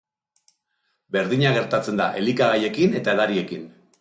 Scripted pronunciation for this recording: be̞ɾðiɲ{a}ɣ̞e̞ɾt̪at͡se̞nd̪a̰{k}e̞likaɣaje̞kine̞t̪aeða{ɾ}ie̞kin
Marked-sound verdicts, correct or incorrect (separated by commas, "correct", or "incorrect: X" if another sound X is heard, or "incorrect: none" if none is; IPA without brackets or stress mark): correct, incorrect: ʔ, correct